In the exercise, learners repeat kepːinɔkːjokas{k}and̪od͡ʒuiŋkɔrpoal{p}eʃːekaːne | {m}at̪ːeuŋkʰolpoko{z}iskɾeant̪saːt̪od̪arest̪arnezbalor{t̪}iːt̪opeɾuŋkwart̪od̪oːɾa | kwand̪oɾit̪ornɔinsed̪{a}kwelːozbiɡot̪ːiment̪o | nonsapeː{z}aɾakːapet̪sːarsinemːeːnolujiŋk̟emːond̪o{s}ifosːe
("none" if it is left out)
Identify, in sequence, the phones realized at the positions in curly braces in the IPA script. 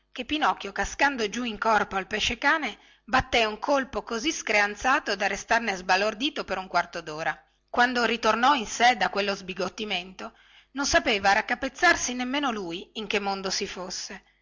k, p, b, z, d̪, a, v, s

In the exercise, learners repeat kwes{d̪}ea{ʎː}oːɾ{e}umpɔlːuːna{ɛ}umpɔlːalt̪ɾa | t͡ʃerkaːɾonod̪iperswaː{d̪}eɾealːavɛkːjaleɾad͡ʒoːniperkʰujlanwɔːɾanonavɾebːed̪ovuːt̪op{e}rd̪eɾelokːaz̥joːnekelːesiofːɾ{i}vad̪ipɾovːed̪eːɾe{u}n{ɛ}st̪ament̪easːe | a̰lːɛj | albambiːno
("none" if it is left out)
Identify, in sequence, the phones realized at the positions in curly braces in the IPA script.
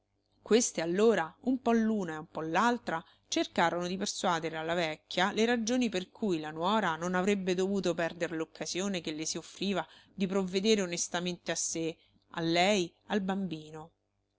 t̪, lː, a, e, d̪, ɛ, iː, o, e

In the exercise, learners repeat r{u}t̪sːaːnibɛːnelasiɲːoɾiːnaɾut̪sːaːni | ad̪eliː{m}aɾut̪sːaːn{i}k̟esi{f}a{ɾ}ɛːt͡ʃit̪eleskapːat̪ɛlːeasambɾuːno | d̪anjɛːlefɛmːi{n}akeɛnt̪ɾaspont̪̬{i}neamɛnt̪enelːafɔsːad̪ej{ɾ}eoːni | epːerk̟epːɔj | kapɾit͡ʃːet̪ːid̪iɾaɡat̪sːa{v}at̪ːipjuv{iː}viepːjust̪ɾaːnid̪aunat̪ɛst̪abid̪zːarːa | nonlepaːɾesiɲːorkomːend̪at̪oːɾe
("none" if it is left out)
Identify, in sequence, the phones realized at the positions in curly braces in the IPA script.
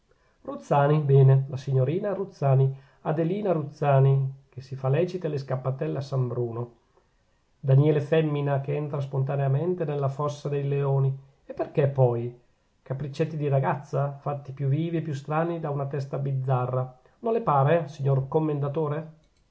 u, n, i, f, l, n, a, l, f, iː

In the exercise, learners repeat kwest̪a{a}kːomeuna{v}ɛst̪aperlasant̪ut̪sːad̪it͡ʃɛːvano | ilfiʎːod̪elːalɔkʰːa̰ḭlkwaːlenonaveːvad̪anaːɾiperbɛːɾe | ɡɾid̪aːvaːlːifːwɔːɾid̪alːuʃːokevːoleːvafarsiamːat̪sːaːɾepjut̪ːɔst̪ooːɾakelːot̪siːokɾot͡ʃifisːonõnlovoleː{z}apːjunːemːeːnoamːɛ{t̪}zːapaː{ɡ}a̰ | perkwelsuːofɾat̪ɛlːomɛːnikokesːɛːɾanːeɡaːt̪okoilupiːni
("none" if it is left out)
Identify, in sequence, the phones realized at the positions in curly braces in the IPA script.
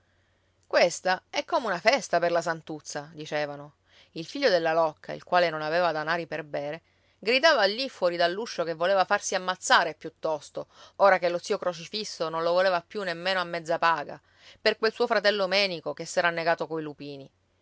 ɛ, f, v, d̪, ɡ

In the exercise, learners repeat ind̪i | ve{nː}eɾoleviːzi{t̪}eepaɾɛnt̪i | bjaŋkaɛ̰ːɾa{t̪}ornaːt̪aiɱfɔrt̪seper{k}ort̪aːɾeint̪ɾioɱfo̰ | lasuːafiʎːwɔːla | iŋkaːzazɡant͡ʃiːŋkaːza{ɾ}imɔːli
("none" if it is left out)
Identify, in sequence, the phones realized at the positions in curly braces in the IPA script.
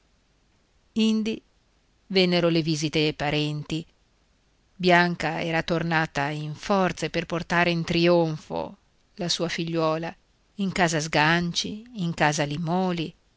nː, t̪, t̪, p, l

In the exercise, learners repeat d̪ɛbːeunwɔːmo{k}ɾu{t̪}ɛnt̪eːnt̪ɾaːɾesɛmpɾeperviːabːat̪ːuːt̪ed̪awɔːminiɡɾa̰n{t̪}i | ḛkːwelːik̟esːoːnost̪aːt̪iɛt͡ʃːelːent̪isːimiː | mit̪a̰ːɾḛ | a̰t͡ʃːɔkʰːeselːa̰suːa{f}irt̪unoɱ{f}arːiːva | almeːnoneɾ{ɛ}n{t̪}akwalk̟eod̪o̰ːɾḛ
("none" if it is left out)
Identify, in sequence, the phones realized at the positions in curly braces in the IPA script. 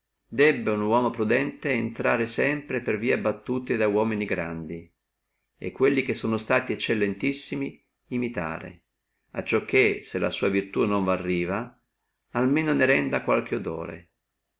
p, d̪, d̪, v, v, ɛ, d̪

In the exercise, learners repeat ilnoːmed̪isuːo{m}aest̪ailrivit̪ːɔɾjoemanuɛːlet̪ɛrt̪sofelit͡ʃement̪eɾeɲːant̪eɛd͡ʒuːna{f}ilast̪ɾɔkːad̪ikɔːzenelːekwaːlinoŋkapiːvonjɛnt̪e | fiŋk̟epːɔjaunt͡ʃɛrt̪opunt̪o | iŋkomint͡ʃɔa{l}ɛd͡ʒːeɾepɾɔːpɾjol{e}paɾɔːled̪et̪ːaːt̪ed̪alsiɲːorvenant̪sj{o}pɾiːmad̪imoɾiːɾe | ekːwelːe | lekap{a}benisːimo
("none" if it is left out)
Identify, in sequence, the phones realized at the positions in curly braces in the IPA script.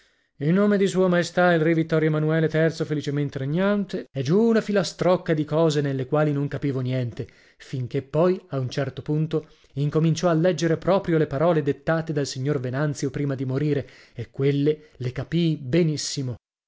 m, f, lː, e, o, i

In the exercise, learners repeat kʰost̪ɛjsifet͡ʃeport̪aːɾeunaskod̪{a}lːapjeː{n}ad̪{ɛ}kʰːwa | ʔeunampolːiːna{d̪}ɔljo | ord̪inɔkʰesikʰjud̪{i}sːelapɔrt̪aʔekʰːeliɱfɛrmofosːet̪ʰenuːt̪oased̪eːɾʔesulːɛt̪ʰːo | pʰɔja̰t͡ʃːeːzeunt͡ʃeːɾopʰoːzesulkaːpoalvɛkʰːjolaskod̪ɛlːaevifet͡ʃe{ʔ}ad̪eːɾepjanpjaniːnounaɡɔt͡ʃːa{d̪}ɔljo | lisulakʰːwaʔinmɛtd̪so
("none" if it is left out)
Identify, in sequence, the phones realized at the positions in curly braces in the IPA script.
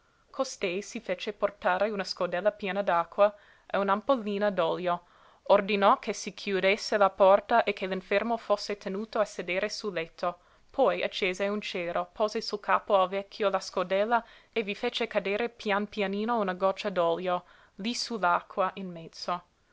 ɛ, n, a, d̪, e, k, d̪

